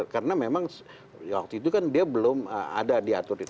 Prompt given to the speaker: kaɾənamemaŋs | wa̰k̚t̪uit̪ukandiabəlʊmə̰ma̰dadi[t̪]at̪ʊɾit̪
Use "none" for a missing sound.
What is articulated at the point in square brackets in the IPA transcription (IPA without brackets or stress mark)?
none